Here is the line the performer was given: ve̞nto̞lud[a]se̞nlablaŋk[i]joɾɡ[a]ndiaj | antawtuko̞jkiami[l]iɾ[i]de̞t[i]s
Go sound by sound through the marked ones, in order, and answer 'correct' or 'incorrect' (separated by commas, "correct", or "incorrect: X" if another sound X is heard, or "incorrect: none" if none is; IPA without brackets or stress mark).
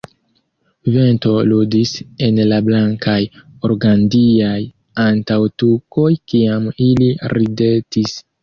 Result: incorrect: i, incorrect: a, correct, correct, correct, correct